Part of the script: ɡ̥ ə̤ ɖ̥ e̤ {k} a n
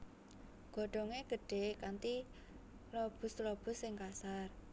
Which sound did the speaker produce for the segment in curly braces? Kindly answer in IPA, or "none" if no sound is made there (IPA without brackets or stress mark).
k